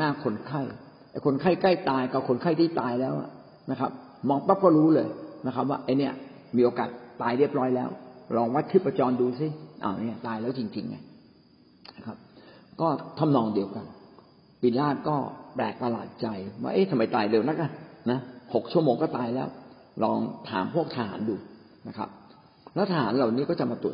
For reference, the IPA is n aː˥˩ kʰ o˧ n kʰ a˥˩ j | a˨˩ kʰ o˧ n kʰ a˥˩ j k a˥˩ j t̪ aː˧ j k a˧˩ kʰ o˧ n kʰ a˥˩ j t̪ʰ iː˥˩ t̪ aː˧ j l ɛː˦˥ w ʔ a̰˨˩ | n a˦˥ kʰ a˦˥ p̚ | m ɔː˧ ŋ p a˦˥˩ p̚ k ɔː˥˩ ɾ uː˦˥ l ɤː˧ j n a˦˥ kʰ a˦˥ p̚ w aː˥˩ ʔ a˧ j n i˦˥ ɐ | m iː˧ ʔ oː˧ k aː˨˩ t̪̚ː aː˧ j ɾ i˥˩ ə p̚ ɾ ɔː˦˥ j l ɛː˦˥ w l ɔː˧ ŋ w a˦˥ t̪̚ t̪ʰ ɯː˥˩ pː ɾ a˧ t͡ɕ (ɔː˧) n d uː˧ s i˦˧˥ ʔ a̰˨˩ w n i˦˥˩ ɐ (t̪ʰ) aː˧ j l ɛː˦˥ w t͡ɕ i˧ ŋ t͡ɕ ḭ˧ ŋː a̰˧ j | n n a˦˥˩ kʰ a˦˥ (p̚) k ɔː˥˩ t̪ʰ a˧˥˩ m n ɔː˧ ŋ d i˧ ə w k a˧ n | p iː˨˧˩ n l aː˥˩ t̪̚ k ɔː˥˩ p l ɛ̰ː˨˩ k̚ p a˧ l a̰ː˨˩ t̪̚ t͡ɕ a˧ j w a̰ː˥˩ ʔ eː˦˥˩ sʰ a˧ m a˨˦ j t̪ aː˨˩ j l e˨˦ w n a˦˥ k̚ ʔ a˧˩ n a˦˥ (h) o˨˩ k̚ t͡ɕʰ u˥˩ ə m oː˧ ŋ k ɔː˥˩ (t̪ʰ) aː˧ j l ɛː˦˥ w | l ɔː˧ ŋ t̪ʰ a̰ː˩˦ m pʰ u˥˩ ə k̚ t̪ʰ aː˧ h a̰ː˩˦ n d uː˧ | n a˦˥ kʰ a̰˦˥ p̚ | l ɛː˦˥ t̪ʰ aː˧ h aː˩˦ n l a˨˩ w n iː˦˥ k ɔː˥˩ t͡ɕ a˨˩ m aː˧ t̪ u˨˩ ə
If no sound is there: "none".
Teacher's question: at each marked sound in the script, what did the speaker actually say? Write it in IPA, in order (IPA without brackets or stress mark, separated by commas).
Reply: ɔː˧, t̪, p̚, h, t̪